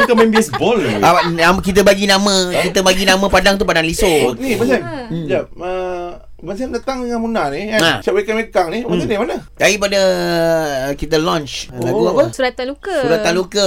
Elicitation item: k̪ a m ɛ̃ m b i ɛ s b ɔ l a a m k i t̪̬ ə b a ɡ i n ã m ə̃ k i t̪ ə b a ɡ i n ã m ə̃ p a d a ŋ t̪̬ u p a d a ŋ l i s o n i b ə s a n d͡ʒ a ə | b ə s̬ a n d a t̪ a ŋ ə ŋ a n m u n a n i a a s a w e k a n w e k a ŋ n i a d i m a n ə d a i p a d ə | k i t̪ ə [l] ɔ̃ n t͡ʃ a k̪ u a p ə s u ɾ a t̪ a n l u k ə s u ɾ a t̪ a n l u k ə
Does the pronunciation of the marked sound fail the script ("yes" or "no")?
no